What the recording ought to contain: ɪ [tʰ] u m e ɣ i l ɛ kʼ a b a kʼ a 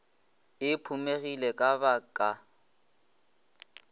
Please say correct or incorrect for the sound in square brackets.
incorrect